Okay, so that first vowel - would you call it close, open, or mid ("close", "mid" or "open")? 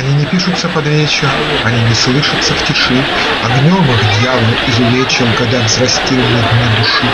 open